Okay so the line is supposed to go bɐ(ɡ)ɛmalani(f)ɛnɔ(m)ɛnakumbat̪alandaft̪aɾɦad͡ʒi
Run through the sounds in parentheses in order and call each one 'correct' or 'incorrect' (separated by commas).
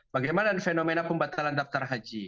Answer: correct, correct, correct